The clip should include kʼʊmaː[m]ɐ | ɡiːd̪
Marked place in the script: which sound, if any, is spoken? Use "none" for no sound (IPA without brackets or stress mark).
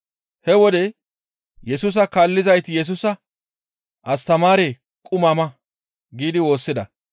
m